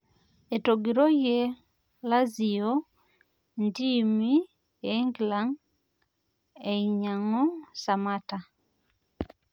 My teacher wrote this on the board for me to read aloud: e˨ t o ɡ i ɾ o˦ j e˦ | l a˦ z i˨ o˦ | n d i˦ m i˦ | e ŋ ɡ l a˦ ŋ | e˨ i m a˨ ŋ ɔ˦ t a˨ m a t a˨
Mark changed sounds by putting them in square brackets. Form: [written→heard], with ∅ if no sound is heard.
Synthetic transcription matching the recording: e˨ t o ɡ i ɾ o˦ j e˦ | l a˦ z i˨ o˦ | n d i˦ m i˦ | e ŋ ɡ l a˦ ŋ | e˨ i [m→ɲ] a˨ ŋ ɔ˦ [t→s] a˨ m a t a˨